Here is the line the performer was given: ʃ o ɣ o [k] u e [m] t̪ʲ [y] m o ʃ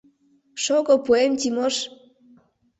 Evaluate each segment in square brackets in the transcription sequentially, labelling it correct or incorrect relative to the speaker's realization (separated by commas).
incorrect, correct, incorrect